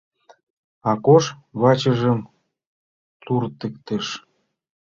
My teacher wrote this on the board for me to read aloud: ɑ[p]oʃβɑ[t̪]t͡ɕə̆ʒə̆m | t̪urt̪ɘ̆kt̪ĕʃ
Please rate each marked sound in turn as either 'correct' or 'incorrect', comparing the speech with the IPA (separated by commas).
incorrect, incorrect